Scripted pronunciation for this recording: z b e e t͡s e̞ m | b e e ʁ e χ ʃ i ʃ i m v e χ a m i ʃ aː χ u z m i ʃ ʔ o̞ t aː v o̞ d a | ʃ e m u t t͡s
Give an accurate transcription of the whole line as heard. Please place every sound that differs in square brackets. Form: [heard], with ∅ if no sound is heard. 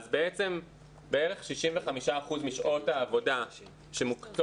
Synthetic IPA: z b e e t͡s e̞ m | b e e ʁ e χ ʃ i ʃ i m v e χ a m i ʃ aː χ u z m i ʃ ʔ o̞ t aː v o̞ d a | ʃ e m u [k] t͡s